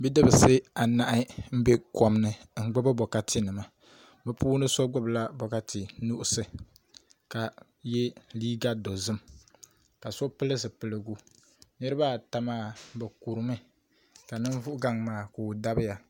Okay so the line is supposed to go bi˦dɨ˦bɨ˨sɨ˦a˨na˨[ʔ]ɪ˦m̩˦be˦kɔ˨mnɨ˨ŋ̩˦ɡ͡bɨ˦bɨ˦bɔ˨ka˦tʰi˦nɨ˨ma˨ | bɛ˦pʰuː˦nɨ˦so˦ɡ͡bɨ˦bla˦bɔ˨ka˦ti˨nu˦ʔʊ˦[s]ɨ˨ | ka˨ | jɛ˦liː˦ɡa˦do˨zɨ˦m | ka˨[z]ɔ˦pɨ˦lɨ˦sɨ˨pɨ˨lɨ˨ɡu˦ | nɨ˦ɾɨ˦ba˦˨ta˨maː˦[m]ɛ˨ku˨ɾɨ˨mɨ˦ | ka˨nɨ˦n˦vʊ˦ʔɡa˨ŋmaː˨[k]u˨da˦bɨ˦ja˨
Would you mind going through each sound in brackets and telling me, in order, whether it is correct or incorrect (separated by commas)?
correct, correct, incorrect, incorrect, correct